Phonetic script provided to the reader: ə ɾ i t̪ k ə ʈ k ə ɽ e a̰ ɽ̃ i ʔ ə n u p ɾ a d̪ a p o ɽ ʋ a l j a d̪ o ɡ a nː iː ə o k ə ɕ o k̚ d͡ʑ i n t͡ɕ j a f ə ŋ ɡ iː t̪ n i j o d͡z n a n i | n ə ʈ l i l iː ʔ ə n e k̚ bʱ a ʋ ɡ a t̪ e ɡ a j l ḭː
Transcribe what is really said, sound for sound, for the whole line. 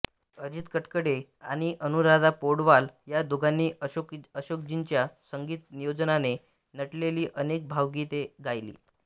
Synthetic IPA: ə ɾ i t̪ k ə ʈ k ə ɽ e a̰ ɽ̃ i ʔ ə n u ɾ a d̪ a p o ɽ ʋ a l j a d̪ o ɡ a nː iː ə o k ə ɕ o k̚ d͡ʑ i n t͡ɕ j a s ə ŋ ɡ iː t̪ n i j o d͡z n a n e | n ə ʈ l e l iː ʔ ə n e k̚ bʱ a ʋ ɡ i t̪ e ɡ a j l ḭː